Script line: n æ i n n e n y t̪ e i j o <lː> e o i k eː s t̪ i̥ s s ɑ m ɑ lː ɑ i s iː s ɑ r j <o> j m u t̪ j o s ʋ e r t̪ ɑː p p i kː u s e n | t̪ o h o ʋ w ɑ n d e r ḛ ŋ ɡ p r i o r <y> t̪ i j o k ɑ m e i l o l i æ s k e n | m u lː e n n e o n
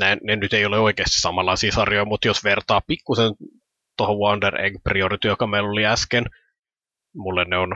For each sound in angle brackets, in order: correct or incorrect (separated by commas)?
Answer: incorrect, correct, incorrect